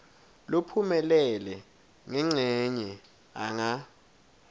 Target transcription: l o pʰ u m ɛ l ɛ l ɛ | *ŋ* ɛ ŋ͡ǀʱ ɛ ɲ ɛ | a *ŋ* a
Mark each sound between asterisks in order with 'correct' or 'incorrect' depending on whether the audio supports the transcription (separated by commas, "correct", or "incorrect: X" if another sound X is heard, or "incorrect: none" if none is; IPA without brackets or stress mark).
correct, correct